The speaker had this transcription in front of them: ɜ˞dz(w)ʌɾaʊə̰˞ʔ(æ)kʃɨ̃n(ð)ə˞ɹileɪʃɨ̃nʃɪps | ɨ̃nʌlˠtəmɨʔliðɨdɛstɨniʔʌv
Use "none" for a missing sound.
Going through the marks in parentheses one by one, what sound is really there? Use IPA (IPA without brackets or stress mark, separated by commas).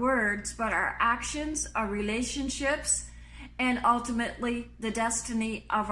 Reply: b, æ, z